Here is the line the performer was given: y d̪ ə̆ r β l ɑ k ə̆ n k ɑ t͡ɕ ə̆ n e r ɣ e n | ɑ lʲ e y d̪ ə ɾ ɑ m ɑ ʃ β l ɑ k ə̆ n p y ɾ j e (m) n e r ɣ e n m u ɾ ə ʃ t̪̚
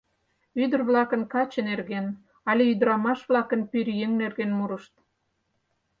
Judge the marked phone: incorrect: ŋ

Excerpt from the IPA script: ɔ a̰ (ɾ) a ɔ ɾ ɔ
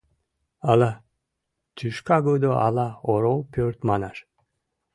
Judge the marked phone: incorrect: l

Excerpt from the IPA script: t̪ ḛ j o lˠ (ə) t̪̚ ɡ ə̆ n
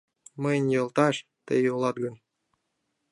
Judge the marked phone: incorrect: ɑ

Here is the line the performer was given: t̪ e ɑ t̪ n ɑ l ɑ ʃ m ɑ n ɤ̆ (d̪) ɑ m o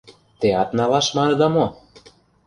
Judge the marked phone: correct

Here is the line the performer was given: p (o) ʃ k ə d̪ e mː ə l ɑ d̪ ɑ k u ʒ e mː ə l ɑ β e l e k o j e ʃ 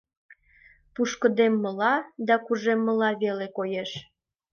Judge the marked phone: incorrect: u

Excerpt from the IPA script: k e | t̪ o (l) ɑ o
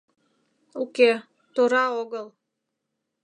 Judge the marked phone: incorrect: ɾ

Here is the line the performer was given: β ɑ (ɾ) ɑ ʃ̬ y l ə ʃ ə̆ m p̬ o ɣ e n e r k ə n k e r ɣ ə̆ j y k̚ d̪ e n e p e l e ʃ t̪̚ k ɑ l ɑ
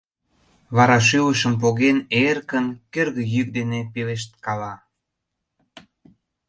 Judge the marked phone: correct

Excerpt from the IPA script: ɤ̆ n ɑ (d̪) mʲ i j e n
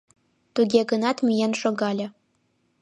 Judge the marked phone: incorrect: t̪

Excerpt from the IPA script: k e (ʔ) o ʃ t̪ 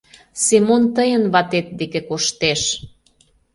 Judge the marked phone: incorrect: k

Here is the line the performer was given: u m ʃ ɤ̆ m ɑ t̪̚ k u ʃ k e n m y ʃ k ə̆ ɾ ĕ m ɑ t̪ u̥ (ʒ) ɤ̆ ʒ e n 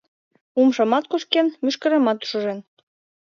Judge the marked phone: incorrect: ʃ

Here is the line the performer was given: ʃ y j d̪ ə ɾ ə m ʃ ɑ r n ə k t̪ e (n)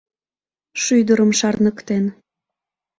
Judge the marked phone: correct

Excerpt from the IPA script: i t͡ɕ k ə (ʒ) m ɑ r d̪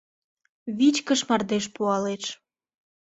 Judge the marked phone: incorrect: ʃ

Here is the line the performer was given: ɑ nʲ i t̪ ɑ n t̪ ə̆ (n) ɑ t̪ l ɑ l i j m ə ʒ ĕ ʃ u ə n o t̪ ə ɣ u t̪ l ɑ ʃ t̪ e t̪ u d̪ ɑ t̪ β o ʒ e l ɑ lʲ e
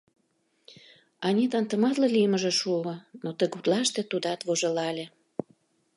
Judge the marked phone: incorrect: m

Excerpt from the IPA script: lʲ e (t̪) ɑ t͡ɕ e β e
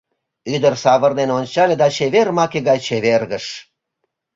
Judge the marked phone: incorrect: d̪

